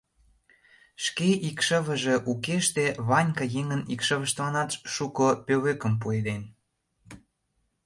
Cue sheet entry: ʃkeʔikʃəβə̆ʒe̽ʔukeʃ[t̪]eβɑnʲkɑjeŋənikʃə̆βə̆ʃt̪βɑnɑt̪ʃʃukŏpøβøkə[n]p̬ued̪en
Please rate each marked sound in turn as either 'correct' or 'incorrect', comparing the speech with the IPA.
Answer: correct, incorrect: m

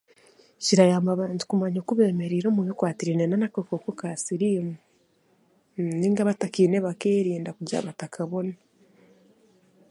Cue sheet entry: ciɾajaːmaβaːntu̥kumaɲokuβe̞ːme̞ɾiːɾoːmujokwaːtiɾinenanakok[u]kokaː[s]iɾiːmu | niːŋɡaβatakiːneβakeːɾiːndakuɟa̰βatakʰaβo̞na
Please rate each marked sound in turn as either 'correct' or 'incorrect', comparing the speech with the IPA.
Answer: incorrect: o, correct

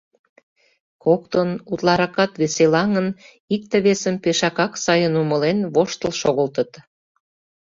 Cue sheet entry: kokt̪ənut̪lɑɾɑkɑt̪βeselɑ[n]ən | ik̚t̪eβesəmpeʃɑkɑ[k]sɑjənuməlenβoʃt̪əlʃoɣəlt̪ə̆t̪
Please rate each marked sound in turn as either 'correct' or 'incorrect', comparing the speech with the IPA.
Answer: incorrect: ŋ, correct

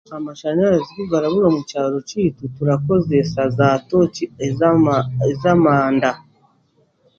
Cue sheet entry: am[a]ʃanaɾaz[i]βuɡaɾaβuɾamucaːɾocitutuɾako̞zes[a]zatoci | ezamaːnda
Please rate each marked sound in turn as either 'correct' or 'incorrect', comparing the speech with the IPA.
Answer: correct, correct, correct

